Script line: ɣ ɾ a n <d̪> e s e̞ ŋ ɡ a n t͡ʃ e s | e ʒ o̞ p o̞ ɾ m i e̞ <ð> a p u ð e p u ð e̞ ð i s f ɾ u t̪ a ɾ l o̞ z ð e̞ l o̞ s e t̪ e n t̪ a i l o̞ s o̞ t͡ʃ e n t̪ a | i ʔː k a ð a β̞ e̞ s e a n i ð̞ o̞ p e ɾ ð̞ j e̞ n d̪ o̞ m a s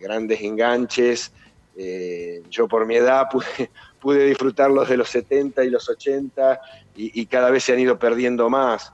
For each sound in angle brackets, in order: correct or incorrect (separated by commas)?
correct, correct